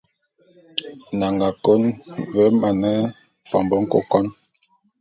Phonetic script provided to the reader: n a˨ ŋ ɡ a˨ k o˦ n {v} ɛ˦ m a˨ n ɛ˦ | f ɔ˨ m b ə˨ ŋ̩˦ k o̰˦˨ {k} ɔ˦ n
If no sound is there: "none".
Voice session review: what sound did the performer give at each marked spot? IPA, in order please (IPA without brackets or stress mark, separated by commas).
v, k